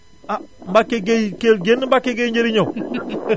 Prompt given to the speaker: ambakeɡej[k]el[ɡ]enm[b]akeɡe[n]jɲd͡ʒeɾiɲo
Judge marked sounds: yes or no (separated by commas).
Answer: yes, yes, yes, no